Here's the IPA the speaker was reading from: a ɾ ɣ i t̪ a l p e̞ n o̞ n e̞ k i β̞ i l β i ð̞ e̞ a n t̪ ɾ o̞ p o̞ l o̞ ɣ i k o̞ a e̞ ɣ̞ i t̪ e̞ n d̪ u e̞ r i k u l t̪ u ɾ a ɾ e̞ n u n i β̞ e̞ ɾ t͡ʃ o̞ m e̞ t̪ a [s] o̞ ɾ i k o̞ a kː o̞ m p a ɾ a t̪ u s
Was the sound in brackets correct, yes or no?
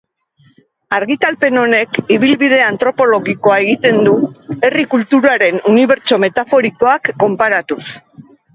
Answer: no